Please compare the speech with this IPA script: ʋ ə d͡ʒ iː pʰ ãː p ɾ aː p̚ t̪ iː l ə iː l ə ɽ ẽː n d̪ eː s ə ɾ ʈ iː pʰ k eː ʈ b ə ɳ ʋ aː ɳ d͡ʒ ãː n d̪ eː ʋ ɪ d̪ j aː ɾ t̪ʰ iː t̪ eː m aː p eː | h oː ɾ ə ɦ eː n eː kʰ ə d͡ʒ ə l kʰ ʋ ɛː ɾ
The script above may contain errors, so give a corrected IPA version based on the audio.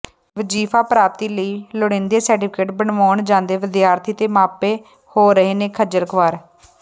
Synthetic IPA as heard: ʋ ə d͡ʒ iː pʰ aː p ɾ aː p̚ t̪ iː l ə iː l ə ɽ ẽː n d̪ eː s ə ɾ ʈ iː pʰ k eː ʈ b ə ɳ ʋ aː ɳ d͡ʒ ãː n d̪ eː ʋ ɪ d̪ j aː ɾ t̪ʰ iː t̪ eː m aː p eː | h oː ɾ ə ɦ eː n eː kʰ ə d͡ʒ ə l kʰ ʋ aː ɾ